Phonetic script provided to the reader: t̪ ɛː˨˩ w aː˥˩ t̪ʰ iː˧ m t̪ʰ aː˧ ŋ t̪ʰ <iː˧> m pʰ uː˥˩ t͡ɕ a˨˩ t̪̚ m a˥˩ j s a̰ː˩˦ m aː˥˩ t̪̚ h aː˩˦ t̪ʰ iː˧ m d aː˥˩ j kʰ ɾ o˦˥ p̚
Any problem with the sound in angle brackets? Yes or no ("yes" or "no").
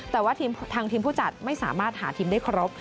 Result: no